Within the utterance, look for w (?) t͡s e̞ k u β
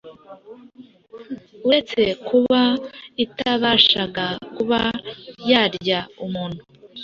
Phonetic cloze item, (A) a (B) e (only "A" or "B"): B